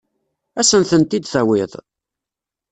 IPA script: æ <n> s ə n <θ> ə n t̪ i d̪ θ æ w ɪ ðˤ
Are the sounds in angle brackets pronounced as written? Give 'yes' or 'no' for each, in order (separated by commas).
no, yes